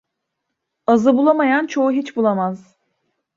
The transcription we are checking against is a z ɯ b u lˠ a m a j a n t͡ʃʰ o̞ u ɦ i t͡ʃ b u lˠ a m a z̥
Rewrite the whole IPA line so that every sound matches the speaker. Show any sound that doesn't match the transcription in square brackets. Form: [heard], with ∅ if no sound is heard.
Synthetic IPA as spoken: a z ɯ b u lˠ a m a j a n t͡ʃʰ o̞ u ɦ i t͡ʃ b u lˠ a m a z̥

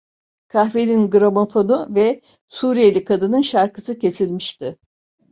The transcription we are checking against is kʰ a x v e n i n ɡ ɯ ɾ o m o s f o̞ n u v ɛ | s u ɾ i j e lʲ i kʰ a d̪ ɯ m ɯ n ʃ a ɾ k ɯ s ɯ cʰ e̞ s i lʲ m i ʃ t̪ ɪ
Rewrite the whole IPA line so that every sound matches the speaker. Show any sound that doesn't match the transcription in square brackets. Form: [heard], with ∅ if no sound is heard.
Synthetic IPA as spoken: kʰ a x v e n i n ɡ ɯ ɾ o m o [∅] f o̞ n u v ɛ | s u ɾ i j e lʲ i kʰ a d̪ ɯ [n] ɯ n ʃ a ɾ k ɯ s ɯ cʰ e̞ s i lʲ m i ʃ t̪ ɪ

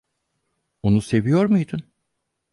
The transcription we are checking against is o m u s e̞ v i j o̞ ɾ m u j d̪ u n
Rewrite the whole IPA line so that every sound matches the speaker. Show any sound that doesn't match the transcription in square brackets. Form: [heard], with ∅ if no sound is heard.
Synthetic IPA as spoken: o [n] u s e̞ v i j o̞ ɾ m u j d̪ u n

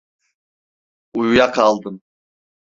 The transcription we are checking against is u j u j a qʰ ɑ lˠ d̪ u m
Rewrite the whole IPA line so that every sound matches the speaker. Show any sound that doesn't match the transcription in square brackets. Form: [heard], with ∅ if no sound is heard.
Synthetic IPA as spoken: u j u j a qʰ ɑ lˠ d̪ [ɯ] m

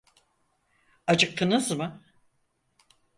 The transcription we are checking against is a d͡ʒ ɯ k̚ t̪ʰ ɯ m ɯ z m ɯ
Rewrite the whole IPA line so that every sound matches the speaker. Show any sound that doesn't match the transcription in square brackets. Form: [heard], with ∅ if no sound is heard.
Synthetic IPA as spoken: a d͡ʒ ɯ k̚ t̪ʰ ɯ [n] ɯ z m ɯ

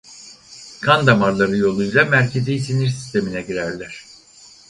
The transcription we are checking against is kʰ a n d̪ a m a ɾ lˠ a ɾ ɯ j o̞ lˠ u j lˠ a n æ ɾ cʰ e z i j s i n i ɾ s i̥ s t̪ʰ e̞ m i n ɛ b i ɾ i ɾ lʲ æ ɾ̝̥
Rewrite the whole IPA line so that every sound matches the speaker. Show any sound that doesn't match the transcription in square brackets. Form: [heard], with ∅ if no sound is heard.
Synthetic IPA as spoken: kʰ a n d̪ a m a ɾ lˠ a ɾ ɯ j o̞ lˠ u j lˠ a [m] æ ɾ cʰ e z i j s i n i ɾ s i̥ s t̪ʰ e̞ m i n ɛ [ɟ] i ɾ [æ] ɾ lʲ æ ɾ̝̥

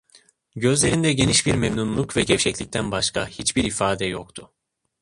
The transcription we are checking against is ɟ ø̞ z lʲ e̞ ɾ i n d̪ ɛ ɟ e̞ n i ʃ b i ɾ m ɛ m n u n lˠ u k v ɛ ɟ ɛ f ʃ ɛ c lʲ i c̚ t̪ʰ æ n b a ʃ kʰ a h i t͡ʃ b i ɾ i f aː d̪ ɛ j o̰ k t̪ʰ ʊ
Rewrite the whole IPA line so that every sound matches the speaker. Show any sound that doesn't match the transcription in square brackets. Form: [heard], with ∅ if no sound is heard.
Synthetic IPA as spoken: ɟ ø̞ z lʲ e̞ ɾ i n d̪ ɛ ɟ e̞ n i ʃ b i ɾ m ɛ m n u n lˠ u k v ɛ ɟ ɛ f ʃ ɛ c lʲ i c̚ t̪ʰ æ n b a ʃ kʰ a h i t͡ʃ b i ɾ i f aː d̪ ɛ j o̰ k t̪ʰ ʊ

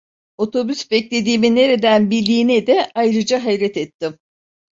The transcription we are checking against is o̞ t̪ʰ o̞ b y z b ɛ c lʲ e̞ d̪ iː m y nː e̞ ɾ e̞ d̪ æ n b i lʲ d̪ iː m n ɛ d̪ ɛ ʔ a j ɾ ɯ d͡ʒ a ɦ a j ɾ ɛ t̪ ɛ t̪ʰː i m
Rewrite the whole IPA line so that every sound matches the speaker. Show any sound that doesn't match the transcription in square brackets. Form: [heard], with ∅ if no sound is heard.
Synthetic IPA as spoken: o̞ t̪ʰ o̞ b y [s] b ɛ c lʲ e̞ d̪ iː m [i] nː e̞ ɾ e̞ d̪ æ n b i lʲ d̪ iː [∅] n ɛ d̪ ɛ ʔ a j ɾ ɯ d͡ʒ a ɦ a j ɾ ɛ t̪ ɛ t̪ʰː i m

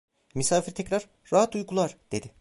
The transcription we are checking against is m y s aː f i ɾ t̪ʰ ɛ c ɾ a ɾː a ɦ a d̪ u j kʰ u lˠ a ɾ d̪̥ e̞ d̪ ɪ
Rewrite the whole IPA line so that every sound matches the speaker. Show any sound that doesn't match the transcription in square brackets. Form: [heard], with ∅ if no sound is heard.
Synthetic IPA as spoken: m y s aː f i ɾ t̪ʰ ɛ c ɾ a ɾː a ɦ a [t̪] u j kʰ u lˠ a ɾ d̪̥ e̞ d̪ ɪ

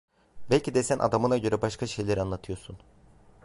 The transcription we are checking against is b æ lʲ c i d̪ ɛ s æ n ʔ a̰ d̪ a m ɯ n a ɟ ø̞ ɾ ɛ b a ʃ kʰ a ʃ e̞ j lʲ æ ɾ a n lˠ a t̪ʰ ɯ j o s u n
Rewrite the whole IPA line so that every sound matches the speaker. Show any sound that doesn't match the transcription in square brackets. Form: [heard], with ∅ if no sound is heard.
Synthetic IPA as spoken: b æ lʲ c i d̪ ɛ s æ n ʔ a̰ d̪ a m ɯ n a ɟ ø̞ ɾ ɛ b a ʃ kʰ a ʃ e̞ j lʲ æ ɾ a n lˠ a t̪ʰ ɯ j o s u n

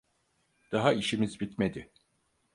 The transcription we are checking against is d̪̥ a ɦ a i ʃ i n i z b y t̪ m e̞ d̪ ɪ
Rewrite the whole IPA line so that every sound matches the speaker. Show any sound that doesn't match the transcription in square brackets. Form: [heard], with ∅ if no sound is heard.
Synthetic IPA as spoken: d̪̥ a ɦ a i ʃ i [m] i z b [i] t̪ m e̞ d̪ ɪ

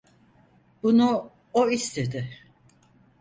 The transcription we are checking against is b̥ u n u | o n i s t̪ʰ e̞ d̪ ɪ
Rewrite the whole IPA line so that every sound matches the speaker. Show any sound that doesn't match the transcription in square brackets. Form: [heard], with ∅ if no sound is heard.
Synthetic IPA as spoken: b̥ u n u | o [∅] i s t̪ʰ e̞ d̪ ɪ

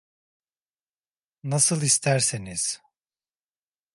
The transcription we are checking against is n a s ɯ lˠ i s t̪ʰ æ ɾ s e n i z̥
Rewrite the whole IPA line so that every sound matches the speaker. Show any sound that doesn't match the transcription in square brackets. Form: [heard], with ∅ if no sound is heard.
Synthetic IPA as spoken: n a s ɯ lˠ i s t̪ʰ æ ɾ s e n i z̥

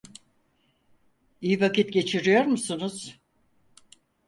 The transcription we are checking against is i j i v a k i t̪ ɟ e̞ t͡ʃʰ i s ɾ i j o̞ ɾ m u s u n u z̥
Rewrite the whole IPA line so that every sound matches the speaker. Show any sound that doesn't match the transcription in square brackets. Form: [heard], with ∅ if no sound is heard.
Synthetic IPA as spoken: i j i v a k i t̪ ɟ e̞ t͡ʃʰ i [∅] ɾ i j o̞ ɾ m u s u n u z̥

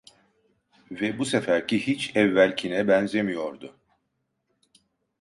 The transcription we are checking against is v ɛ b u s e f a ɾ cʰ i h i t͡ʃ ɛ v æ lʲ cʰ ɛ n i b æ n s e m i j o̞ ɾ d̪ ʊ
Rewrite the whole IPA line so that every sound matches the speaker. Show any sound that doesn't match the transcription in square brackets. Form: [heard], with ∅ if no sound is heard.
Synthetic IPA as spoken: v ɛ b u s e f [æ] ɾ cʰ i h i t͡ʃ ɛ [vː] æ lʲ cʰ [i] n [ɛ] b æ n [z] e m i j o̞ ɾ d̪ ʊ

